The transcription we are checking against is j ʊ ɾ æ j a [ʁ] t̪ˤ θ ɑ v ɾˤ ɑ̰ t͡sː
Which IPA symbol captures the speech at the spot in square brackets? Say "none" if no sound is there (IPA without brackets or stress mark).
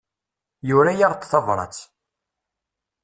ʁ